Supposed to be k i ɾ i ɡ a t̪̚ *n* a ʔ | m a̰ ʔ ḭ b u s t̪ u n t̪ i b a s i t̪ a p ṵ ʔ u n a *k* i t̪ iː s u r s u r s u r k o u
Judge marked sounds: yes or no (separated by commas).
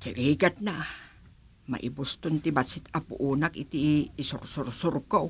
yes, yes